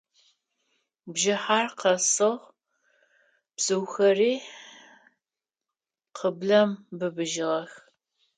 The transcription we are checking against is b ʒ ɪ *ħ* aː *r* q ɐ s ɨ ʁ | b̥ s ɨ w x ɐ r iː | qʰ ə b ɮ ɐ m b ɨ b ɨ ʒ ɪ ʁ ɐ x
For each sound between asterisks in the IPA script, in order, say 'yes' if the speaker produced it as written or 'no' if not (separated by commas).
yes, yes